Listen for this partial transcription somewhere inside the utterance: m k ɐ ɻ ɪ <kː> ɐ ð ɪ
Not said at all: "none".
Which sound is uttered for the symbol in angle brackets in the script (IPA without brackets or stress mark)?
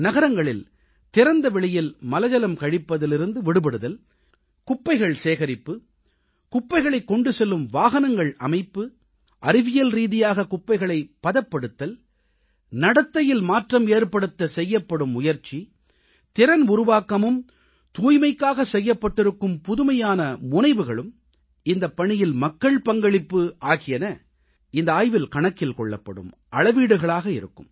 pː